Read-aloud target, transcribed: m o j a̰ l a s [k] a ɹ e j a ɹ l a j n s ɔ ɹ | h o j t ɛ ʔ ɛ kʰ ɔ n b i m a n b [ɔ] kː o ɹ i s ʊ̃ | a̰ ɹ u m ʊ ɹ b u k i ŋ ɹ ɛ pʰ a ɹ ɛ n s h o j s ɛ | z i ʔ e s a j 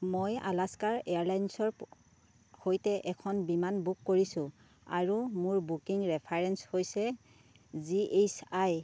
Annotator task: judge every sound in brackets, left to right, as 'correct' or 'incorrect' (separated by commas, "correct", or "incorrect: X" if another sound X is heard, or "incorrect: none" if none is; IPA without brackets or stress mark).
correct, incorrect: u